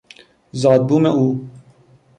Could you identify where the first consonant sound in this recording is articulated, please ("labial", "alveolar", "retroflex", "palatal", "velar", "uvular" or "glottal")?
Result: alveolar